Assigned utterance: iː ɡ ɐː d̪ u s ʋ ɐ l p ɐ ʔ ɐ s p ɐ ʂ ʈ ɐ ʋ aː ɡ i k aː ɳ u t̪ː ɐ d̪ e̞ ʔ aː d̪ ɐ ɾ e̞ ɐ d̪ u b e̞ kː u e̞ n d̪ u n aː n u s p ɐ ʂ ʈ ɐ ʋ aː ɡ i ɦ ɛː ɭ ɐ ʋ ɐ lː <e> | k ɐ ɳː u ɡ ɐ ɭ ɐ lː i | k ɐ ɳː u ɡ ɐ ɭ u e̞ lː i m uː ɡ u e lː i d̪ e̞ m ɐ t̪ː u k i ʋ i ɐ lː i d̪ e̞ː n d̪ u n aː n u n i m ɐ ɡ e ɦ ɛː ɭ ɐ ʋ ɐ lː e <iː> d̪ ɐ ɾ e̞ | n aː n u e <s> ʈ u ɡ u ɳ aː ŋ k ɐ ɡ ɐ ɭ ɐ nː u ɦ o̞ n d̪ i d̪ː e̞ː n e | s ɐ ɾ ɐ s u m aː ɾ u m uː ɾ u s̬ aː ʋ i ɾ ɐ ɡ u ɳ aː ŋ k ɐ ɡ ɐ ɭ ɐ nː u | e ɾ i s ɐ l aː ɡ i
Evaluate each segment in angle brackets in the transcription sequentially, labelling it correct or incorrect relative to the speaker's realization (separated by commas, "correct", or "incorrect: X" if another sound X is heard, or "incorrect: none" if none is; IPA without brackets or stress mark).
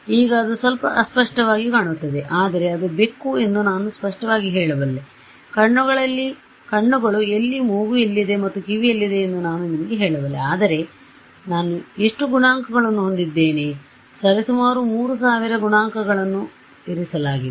correct, incorrect: aː, incorrect: ʂ